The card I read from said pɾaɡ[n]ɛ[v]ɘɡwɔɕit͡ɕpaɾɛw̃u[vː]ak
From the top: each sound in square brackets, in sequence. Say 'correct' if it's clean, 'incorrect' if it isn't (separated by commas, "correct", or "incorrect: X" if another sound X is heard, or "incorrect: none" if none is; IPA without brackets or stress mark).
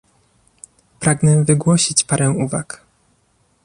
correct, correct, incorrect: v